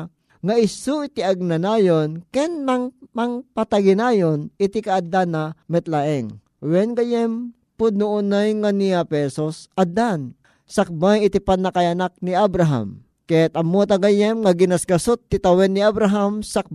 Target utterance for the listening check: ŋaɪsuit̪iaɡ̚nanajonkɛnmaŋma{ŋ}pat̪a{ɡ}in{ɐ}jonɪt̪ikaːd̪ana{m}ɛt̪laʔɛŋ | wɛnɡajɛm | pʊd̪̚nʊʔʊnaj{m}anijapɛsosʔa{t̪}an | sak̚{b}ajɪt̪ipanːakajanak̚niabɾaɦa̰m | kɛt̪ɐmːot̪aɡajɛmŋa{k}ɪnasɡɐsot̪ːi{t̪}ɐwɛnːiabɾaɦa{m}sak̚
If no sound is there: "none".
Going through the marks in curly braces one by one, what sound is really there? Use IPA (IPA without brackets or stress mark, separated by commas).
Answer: ŋ, ɡ, a, m, ŋ, d̪, b, ɡ, t̪, m